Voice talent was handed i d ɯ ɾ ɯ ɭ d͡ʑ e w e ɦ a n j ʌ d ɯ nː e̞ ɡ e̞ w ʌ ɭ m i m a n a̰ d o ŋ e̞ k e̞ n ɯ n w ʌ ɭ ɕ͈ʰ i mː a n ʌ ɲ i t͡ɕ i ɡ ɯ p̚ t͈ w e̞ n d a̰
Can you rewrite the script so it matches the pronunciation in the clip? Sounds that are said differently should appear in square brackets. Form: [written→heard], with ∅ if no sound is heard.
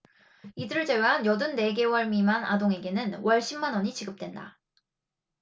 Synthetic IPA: i d ɯ ɾ ɯ ɭ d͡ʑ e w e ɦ a n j ʌ d ɯ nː e̞ ɡ e̞ w ʌ ɭ m i m a n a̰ d o ŋ e̞ [k→ɡ] e̞ n ɯ n w ʌ ɭ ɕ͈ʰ i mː a n ʌ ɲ i t͡ɕ i ɡ ɯ p̚ t͈ w e̞ n d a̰